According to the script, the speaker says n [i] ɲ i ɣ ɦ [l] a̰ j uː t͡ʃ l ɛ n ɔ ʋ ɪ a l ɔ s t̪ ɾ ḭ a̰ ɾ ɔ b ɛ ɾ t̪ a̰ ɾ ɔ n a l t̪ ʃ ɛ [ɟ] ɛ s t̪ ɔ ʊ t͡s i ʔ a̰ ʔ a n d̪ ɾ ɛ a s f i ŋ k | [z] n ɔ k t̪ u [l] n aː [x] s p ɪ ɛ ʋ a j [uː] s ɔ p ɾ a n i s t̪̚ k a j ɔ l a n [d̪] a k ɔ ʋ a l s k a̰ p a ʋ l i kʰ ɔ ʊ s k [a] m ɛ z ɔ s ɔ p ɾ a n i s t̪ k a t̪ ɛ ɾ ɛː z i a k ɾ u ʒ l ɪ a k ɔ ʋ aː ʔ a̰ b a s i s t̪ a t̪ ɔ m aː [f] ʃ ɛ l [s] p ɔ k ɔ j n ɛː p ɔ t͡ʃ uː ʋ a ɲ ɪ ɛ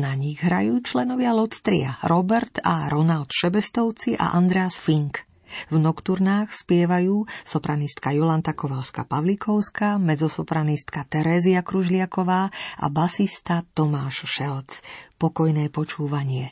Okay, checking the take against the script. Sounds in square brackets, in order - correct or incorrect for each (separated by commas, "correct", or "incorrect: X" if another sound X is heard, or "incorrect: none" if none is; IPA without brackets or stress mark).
incorrect: a, incorrect: ɾ, incorrect: b, incorrect: v, incorrect: ɾ, correct, correct, incorrect: t̪, correct, incorrect: ʃ, incorrect: t͡s